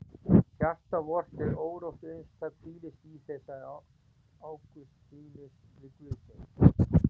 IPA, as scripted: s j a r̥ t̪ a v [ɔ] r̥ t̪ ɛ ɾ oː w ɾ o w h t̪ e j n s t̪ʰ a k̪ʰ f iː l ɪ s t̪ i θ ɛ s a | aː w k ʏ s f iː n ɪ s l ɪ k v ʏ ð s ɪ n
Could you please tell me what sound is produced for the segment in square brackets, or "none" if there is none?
ɔ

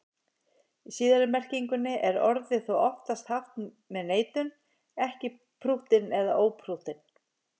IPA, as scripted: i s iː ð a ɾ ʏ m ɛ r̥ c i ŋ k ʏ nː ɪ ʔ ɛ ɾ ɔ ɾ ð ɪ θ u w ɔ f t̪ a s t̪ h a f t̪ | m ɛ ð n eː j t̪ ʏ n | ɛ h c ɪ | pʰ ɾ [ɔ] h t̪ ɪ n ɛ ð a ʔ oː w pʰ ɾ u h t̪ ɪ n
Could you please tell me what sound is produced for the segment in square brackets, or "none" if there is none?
u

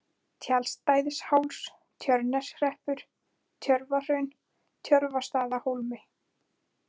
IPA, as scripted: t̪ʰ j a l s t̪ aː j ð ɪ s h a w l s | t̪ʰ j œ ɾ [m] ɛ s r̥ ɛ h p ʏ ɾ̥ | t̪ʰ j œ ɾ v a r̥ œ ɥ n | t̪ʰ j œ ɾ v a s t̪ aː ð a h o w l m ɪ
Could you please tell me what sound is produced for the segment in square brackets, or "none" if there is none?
n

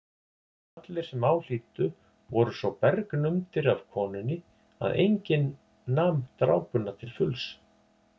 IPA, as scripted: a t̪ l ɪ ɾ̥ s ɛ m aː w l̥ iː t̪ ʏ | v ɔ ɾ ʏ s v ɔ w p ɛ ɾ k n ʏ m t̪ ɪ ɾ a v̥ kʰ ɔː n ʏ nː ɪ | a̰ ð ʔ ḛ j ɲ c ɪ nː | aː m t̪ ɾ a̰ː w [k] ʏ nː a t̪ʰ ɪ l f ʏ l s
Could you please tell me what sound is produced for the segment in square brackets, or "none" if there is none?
p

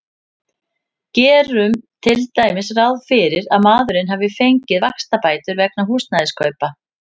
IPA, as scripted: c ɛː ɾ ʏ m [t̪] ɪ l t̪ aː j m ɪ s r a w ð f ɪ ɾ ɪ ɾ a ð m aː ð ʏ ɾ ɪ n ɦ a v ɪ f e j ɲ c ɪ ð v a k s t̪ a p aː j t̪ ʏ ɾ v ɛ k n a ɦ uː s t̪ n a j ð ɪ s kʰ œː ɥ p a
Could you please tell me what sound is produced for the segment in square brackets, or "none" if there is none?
t̪ʰ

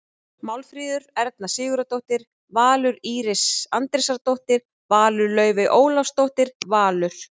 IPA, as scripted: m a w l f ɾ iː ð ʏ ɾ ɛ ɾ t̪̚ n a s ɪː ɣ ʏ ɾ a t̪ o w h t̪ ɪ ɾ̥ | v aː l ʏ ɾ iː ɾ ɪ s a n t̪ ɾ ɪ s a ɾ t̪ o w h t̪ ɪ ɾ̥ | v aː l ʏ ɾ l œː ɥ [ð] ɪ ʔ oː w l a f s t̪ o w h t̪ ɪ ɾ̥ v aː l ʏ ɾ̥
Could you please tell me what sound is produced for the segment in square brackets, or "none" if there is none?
v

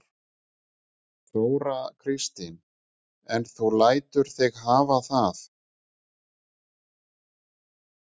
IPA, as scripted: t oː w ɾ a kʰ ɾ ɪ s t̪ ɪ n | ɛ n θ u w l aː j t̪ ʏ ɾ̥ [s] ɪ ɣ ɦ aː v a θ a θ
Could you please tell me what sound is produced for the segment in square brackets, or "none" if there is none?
θ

